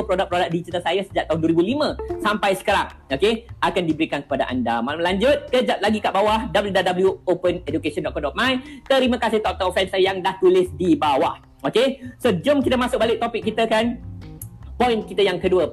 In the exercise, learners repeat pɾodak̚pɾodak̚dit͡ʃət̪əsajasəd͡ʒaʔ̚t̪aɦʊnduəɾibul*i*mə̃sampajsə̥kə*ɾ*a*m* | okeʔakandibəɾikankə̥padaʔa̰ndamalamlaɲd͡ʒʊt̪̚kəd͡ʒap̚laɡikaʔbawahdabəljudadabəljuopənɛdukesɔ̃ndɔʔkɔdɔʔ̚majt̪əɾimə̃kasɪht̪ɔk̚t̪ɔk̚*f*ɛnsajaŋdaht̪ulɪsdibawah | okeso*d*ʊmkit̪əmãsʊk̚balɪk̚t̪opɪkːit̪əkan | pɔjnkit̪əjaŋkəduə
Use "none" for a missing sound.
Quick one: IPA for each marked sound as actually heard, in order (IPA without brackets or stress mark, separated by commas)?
i, ɾ, ŋ, f, d͡ʒ